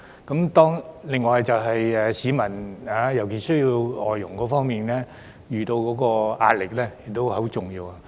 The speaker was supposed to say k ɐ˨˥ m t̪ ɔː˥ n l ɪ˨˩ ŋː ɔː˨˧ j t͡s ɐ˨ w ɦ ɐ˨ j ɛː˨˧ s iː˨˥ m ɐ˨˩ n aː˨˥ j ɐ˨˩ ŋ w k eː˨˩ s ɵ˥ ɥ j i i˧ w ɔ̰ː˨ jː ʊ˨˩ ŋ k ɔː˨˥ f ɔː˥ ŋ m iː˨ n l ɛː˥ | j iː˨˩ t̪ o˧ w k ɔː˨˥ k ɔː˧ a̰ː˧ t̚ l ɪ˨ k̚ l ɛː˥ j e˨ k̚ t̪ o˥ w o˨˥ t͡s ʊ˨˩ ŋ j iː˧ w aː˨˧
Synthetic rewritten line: k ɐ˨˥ m t̪ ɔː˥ ŋ l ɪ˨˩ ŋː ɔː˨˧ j t͡s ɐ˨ w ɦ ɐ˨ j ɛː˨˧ s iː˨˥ m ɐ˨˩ n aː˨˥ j ɐ˨˩ w k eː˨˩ s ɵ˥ ɥ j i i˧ w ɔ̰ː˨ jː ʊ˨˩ ŋ k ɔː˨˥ f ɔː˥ ŋ m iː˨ n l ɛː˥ | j yː˨˩ t̪ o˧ w k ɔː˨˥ k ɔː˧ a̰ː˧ t̚ l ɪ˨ k̚ l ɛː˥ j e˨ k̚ t̪ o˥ w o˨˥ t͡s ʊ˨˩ ŋ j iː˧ w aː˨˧